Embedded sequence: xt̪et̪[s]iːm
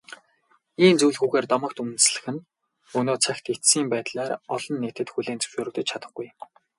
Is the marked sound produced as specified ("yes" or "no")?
yes